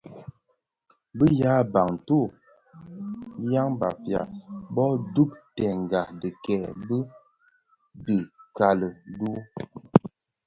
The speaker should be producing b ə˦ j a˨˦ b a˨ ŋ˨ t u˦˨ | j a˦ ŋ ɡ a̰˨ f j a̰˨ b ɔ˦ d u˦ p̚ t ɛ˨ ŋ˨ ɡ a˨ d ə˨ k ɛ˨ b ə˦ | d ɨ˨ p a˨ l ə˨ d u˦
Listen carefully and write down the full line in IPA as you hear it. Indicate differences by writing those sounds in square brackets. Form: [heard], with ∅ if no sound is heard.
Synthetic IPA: b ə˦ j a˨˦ b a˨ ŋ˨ t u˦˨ | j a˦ ŋ [b] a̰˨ f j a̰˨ b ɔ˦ d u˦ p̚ t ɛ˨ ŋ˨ ɡ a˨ d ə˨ k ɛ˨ b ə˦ | d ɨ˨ [k] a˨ l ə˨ d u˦